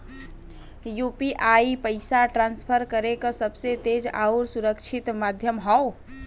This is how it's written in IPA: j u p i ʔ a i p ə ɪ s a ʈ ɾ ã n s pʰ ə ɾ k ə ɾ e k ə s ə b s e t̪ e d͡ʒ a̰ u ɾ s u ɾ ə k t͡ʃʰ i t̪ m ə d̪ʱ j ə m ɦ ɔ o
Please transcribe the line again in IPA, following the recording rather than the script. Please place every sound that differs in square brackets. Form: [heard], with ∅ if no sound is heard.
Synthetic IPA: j u p i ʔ a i p ə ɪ s a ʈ ɾ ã n s pʰ ə ɾ k ə ɾ e k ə s ə b s e t̪ e d͡ʒ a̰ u ɾ s u ɾ ə k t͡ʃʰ i t̪ m [a] d̪ʱ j ə m ɦ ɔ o